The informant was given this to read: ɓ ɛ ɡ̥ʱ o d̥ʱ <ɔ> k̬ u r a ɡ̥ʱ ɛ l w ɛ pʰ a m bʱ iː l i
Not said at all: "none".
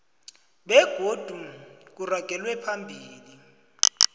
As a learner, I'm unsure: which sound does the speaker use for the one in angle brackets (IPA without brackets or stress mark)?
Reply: u